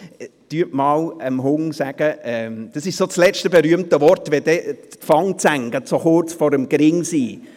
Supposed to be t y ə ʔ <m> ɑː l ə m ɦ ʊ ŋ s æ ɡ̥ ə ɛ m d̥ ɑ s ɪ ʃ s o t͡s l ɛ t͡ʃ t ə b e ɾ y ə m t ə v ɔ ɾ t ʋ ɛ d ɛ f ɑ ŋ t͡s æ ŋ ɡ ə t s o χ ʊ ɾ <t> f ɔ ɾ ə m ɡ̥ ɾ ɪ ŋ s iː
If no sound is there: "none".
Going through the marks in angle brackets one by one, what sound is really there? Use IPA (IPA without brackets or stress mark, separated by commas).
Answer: m, t͡s